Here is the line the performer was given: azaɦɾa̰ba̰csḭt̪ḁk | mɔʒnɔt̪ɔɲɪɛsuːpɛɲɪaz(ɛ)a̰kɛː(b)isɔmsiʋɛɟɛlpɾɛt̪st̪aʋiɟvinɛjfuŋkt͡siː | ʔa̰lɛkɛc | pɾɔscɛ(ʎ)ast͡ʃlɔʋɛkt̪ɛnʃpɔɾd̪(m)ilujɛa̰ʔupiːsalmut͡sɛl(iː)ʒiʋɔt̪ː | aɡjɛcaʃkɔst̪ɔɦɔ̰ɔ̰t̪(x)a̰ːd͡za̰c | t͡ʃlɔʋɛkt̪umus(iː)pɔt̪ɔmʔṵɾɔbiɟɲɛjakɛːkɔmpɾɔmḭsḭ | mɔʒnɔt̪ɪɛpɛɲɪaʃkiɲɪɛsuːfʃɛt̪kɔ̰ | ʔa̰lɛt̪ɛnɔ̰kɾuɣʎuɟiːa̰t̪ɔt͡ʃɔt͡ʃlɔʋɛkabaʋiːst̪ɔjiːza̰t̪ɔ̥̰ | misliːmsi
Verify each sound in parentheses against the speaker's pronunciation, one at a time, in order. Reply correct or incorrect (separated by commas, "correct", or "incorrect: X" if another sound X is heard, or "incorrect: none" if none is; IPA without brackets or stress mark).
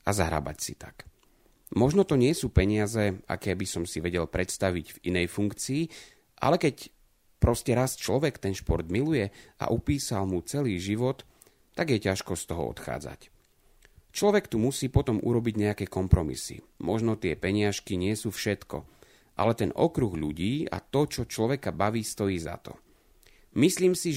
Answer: correct, correct, incorrect: ɾ, correct, correct, correct, correct